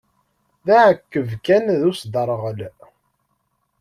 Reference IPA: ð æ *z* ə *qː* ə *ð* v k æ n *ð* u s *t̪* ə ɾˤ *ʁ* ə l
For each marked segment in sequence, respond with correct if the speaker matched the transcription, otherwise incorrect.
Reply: incorrect, incorrect, incorrect, correct, incorrect, correct

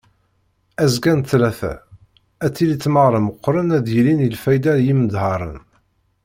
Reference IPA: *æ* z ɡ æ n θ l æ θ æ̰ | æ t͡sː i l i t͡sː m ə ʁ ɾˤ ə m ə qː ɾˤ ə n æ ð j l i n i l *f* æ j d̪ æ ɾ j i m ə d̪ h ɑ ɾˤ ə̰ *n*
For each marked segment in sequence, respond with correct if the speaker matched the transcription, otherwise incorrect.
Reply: correct, correct, correct

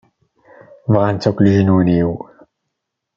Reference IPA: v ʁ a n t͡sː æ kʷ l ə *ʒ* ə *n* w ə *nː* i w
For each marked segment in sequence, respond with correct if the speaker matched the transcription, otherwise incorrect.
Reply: correct, correct, incorrect

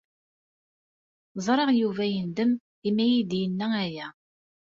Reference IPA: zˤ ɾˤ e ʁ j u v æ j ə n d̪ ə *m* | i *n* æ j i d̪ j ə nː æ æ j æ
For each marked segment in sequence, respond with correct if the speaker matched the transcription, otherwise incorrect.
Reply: correct, incorrect

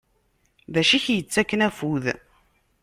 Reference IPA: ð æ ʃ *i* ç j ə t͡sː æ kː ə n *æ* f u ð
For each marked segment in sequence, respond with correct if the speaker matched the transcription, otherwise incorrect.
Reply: correct, correct

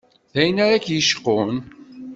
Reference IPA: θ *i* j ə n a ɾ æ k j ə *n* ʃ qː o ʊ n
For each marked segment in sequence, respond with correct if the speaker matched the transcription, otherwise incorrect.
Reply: incorrect, incorrect

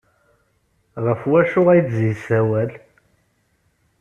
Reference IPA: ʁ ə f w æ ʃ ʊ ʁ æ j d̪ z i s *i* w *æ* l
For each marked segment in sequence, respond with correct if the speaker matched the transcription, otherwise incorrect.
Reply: incorrect, correct

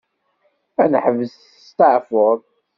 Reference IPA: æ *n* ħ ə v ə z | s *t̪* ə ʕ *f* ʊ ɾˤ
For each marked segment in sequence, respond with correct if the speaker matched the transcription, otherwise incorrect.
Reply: correct, correct, correct

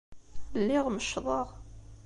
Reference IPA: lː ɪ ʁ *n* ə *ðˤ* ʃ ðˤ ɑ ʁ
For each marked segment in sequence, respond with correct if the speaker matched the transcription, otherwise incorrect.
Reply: incorrect, incorrect

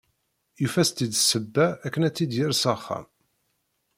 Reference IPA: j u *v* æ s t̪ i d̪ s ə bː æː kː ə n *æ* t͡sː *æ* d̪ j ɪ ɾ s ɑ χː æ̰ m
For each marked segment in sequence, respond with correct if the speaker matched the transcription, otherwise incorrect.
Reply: incorrect, correct, incorrect

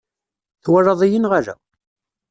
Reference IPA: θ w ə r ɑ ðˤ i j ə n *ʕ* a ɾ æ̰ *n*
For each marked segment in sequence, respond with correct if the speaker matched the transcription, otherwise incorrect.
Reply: incorrect, incorrect

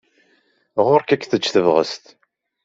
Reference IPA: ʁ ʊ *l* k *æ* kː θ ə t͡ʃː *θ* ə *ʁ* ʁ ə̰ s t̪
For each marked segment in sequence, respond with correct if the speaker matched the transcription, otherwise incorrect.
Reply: incorrect, correct, correct, incorrect

